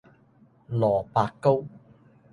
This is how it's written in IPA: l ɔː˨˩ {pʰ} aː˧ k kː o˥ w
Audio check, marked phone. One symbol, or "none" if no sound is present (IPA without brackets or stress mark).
p